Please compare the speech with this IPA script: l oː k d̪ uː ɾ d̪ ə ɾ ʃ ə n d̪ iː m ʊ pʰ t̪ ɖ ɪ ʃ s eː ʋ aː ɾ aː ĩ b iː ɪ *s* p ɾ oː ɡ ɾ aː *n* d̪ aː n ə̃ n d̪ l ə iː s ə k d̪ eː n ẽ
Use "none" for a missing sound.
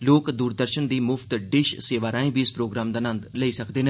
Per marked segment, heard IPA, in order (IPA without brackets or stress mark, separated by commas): s, m